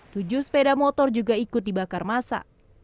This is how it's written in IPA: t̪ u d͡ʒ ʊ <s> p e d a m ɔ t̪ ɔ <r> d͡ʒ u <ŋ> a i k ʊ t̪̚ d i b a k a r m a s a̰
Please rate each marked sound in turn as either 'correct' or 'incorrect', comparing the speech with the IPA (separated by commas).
correct, correct, incorrect